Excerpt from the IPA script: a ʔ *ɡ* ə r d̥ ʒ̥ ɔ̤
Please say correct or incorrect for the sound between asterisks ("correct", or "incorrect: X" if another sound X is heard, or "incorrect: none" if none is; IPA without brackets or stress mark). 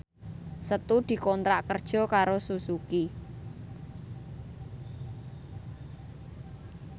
incorrect: k